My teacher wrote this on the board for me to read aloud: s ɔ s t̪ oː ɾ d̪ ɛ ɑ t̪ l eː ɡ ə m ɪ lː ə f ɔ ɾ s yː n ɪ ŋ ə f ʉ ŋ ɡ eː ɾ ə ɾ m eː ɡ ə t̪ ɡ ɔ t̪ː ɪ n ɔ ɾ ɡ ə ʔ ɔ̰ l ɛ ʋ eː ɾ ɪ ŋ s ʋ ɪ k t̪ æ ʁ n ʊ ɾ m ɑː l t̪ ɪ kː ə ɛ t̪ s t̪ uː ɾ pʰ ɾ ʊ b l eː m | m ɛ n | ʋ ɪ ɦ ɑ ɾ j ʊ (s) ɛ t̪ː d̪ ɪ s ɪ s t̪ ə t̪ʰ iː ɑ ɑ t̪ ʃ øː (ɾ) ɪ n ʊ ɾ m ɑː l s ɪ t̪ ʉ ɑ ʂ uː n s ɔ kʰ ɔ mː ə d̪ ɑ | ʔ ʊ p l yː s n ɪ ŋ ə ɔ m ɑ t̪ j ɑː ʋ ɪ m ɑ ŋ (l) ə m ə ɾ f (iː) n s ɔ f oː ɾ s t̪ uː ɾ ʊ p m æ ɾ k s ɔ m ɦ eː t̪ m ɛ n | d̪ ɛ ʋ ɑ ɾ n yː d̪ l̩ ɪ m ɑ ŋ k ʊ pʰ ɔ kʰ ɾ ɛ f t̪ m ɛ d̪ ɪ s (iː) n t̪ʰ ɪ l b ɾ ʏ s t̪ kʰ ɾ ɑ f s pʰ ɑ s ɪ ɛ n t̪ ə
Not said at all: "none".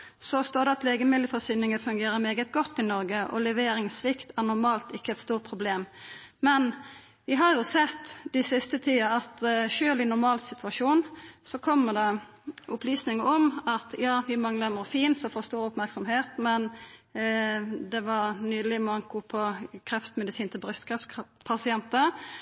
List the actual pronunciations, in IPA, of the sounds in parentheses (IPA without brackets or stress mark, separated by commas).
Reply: s, l, l, iː, iː